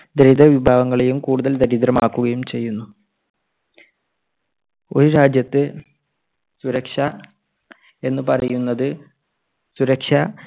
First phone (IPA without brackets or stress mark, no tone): d̪